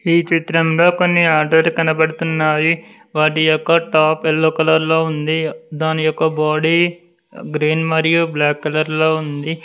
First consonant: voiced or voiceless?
voiceless